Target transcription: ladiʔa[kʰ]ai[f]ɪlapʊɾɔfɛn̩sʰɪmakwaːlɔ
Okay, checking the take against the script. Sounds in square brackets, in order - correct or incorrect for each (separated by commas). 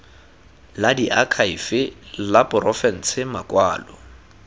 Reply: correct, correct